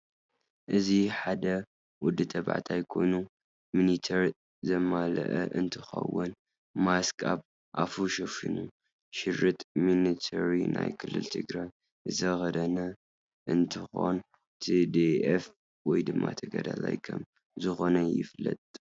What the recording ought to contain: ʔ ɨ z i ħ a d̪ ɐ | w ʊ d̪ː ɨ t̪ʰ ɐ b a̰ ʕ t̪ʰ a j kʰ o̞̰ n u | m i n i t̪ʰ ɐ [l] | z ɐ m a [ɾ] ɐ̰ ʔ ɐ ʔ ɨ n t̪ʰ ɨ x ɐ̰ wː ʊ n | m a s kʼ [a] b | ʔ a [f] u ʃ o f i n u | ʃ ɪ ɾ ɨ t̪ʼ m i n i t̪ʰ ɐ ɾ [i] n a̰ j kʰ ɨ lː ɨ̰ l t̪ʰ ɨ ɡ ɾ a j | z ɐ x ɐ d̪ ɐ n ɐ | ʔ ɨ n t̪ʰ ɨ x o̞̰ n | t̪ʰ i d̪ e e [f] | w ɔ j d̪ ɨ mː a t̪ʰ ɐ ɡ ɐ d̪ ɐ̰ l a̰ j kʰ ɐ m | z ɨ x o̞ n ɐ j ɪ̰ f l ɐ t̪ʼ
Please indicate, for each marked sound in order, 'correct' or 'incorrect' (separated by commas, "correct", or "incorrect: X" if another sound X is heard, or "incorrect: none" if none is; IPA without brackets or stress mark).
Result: incorrect: ɾ, incorrect: l, correct, correct, correct, correct